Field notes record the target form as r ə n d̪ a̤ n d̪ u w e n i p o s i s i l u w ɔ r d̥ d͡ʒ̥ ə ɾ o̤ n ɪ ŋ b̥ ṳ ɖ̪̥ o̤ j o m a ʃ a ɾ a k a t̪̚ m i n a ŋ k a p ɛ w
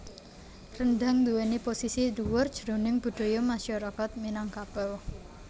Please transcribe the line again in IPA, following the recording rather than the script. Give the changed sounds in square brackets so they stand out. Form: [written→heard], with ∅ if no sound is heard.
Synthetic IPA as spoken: r ə n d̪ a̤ [n→ŋ] d̪ u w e n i p o s i s i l u w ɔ r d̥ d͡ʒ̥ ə ɾ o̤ n ɪ ŋ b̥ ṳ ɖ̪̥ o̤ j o m a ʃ a ɾ a k a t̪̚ m i n a ŋ k a p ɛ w